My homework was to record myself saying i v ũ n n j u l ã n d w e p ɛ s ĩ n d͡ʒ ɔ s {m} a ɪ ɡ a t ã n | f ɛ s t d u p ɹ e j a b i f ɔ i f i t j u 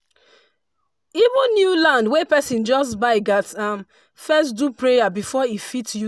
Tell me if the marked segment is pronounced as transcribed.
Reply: no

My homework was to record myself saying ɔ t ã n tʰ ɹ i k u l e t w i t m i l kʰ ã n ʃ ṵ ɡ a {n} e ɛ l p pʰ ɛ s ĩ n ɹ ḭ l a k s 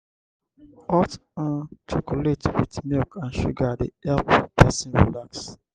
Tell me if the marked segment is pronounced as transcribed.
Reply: no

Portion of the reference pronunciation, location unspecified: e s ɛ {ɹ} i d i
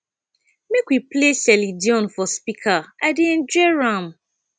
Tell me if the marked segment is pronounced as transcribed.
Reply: no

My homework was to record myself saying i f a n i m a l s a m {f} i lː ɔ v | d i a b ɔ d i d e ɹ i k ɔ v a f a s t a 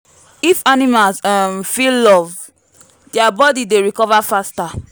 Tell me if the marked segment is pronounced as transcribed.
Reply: yes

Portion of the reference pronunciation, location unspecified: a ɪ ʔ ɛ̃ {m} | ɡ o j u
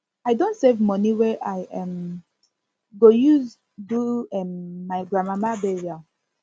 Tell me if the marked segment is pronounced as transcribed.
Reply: yes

